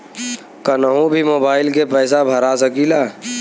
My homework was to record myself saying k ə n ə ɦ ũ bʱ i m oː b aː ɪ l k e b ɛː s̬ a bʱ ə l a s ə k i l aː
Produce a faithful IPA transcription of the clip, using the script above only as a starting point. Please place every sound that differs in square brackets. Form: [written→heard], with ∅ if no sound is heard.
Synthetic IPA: k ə n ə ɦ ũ bʱ i m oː b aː ɪ l k e [b→p] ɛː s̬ a bʱ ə [l→ɾ] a s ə k i l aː